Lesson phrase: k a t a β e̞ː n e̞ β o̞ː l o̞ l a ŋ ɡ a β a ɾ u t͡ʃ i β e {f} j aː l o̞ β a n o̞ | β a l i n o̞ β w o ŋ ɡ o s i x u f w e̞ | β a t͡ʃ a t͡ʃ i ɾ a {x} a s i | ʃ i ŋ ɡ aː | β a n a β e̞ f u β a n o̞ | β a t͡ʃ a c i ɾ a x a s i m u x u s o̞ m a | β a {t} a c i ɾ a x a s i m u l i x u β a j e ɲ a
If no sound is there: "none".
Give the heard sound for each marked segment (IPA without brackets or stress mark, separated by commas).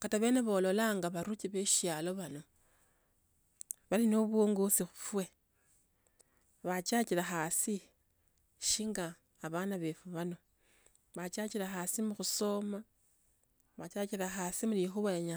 ʃ, x, t͡ʃ